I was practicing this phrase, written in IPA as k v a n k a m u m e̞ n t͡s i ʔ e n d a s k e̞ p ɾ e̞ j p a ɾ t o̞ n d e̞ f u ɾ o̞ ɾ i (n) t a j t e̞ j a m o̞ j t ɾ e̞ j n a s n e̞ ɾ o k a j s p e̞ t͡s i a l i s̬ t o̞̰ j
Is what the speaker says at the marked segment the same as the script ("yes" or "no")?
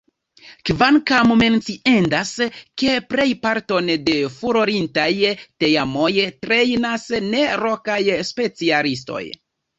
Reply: yes